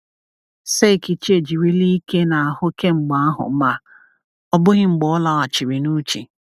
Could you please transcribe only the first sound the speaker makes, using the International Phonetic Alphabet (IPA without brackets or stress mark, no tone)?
s